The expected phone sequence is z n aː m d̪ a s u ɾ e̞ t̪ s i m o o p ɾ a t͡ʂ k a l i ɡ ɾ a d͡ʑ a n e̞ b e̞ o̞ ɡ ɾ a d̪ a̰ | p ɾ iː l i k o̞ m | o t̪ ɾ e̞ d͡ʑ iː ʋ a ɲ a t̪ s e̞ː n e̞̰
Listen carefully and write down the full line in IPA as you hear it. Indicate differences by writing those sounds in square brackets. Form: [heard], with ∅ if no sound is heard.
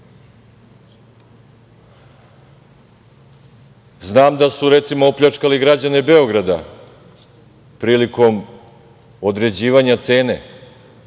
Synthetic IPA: z n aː m d̪ a s u ɾ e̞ t̪ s i m o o p [ʎ] a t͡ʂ k a l i ɡ ɾ a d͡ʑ a n e̞ b e̞ o̞ ɡ ɾ a d̪ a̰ | p ɾ iː l i k o̞ m | o [d̪] ɾ e̞ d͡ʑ iː ʋ a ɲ a t̪ s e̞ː n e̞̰